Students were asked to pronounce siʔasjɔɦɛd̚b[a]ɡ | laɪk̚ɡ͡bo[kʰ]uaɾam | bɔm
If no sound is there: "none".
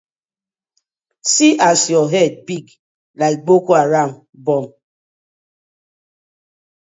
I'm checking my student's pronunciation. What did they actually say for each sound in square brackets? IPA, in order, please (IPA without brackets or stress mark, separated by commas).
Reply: i, k